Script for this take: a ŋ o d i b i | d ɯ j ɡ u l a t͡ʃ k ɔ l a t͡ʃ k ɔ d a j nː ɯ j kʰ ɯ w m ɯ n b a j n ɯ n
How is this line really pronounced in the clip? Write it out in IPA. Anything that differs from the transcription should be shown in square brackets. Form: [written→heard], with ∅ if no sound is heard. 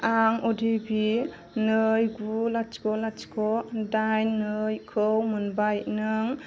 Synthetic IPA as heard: a ŋ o d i b i | [d→n] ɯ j ɡ u l a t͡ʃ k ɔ l a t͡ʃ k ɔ d a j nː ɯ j kʰ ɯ w m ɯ n b a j n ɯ [n→ŋ]